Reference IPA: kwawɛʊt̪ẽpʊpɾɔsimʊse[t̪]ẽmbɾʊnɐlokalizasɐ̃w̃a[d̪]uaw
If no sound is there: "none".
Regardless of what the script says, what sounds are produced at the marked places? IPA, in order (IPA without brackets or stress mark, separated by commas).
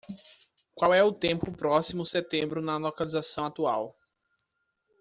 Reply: t̪, t̪